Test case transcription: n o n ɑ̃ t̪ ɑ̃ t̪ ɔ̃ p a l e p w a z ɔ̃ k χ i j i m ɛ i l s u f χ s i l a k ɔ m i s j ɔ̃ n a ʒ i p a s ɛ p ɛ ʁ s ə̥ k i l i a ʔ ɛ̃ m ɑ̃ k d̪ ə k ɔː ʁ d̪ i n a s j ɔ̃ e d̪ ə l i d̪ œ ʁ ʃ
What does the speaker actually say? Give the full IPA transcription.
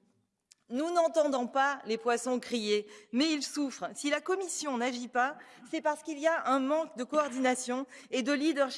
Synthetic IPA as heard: n u n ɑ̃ t̪ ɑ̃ d̪ ɔ̃ p a l e p w a s ɔ̃ k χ i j e m ɛ i l s u f χ s i l a k ɔ m i s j ɔ̃ n a ʒ i p a s ɛ p a ʁ s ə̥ k i l i a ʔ ɛ̃ m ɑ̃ k d̪ ə k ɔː ʁ d̪ i n a s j ɔ̃ e d̪ ə l i d̪ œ ʁ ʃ